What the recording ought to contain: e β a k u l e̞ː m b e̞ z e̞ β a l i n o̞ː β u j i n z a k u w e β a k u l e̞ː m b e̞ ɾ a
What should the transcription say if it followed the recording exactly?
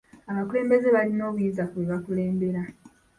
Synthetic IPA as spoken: a β a k u l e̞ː m b e̞ z e̞ β a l i n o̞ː β u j i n z a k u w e β a k u l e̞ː m b e̞ ɾ a